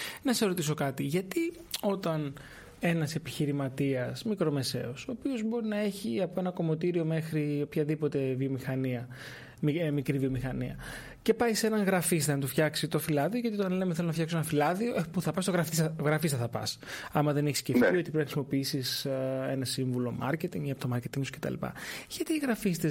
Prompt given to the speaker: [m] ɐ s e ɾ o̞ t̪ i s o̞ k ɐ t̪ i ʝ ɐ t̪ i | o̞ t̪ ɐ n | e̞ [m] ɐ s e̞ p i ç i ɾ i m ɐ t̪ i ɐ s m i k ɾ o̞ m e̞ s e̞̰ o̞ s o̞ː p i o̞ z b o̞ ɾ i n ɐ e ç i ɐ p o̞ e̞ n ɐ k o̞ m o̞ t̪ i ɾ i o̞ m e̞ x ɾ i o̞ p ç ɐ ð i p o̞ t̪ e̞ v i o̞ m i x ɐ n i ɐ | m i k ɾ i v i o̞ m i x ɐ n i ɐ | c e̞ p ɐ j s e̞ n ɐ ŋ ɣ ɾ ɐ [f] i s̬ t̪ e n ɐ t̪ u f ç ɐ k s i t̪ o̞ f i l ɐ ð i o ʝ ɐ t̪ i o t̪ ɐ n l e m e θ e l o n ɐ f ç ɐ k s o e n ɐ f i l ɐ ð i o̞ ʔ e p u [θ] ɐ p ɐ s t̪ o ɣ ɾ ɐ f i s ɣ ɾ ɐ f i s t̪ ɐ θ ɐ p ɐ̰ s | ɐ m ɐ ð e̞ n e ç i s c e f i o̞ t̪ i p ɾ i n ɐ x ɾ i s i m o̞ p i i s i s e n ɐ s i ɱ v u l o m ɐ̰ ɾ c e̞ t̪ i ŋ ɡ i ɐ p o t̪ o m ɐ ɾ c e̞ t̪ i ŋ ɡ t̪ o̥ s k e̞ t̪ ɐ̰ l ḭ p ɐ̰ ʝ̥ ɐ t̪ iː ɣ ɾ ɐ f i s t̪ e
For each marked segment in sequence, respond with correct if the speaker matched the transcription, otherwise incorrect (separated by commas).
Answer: incorrect, incorrect, correct, correct